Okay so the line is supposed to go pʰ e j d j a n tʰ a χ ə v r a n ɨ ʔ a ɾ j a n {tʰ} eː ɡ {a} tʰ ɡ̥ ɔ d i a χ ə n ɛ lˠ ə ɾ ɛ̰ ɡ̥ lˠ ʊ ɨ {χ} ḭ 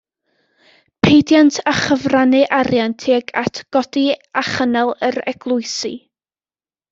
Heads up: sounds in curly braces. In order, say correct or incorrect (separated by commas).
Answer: correct, correct, incorrect